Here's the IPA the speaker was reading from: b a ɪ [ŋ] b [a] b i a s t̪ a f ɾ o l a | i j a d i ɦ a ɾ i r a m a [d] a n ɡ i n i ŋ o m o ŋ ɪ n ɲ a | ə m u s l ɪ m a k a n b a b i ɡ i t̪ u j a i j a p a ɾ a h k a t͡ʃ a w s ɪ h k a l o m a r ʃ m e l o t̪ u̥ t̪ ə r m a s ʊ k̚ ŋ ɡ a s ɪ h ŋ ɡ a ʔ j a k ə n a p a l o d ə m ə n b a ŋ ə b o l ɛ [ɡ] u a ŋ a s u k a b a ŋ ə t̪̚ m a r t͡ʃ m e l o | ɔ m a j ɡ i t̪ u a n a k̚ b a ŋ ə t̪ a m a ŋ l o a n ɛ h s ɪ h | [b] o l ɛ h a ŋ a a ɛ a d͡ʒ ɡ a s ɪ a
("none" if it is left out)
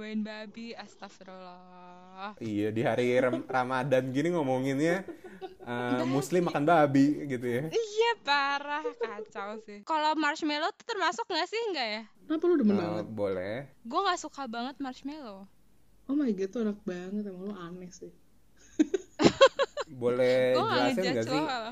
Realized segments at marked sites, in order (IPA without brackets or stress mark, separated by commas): n, a, d, ɡ, b